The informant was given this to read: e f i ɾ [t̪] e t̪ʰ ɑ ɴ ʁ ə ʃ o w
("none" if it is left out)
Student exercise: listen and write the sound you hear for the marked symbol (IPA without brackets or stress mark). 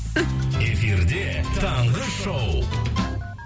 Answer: d̪